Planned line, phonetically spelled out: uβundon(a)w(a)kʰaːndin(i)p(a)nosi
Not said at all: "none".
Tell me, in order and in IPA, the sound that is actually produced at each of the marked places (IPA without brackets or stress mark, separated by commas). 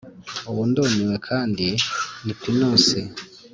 i, e, i, i